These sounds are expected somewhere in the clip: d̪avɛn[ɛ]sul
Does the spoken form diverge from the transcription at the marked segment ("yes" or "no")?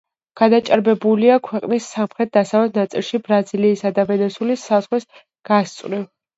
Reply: no